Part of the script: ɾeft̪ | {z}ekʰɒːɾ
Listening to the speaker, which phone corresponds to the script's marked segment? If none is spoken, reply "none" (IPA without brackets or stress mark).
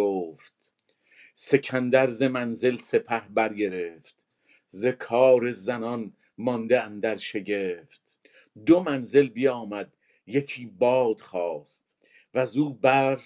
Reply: z